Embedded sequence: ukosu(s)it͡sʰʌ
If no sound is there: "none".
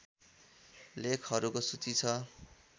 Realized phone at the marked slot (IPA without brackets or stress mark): t͡s